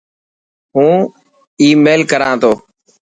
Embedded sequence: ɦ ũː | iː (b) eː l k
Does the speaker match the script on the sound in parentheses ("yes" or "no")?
no